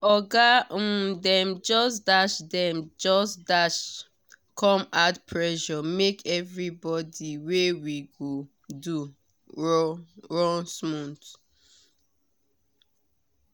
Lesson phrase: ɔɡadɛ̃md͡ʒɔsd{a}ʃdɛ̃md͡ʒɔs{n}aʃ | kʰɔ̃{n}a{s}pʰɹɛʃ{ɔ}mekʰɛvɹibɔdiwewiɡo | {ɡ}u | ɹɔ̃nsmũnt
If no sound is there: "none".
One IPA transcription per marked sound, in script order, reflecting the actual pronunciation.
a, d, m, t, ɔ, d

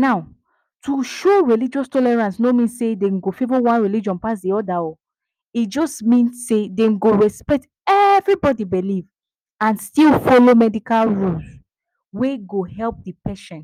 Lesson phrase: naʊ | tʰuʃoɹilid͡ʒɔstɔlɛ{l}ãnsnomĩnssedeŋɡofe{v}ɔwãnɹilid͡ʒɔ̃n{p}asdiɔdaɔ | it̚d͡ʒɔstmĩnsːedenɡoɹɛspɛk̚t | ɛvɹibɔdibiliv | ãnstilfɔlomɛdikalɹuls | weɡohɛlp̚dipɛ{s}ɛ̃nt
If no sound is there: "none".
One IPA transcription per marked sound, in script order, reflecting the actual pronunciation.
ɹ, v, p, ʃ

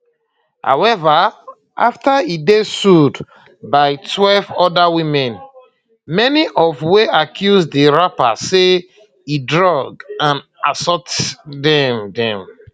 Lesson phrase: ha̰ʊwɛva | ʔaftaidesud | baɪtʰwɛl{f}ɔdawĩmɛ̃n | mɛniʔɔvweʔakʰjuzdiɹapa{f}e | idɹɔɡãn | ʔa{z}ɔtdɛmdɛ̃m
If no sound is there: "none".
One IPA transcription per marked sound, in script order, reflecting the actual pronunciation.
v, s, s

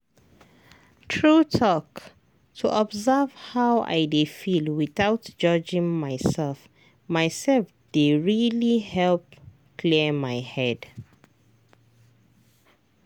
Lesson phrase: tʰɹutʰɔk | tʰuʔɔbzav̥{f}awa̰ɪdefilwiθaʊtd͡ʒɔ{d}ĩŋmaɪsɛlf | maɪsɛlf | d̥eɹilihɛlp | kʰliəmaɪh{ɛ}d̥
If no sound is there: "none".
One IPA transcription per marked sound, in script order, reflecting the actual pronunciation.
h, d͡ʒ, ɛ

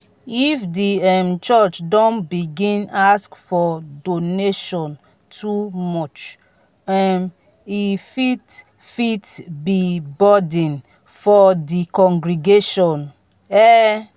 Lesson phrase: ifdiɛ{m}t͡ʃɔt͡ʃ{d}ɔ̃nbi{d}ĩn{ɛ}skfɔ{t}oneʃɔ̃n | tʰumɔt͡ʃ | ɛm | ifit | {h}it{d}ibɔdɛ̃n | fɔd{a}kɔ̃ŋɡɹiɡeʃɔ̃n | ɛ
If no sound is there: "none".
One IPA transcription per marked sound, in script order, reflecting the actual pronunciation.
m, d, ɡ, a, d, f, b, i

